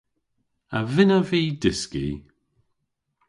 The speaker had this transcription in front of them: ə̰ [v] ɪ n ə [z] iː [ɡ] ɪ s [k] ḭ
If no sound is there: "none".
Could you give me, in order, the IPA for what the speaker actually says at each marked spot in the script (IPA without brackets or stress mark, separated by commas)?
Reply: v, v, d, k